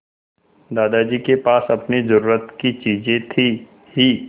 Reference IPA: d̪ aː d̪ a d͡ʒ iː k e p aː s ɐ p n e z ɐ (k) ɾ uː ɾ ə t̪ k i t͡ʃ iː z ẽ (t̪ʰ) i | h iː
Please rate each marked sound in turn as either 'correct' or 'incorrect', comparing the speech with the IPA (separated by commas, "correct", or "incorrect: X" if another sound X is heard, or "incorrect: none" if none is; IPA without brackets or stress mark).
incorrect: none, correct